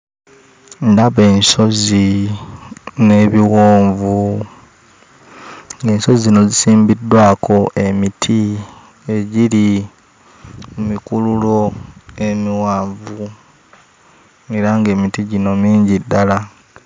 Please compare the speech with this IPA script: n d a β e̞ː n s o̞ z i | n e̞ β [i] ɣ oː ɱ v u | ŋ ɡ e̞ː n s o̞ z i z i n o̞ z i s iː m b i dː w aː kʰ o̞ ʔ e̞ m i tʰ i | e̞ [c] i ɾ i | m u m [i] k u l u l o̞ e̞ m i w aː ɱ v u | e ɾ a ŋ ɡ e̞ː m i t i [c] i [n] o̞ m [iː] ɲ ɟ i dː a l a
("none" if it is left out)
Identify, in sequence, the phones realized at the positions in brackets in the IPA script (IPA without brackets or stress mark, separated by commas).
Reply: i, ɟ, i, ɟ, n, iː